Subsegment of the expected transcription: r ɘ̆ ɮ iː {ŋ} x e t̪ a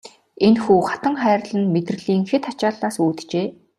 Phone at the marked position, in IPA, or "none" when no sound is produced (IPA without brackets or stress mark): ŋ